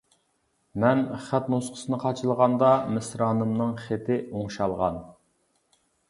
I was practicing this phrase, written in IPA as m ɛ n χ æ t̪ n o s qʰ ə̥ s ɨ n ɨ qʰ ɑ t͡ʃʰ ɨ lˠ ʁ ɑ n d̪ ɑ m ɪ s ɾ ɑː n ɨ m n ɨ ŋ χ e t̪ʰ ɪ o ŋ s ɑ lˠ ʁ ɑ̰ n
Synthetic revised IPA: m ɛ n χ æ t̪ n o s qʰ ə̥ s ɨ n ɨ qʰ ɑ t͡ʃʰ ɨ lˠ ʁ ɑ n d̪ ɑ m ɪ s ɾ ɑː n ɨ m n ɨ ŋ χ e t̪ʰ ɪ o ŋ ʃ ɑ lˠ ʁ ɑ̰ n